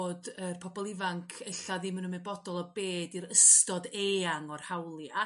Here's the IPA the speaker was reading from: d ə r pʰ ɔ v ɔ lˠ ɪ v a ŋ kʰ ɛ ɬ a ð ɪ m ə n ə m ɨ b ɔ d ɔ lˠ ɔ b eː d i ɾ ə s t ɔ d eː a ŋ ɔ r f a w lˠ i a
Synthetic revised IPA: d ə r pʰ ɔ b ɔ lˠ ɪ v a ŋ kʰ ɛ ɬ a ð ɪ m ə n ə m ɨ b ɔ d ɔ lˠ ɔ b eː d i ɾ ə s t ɔ d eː a ŋ ɔ r h a w lˠ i a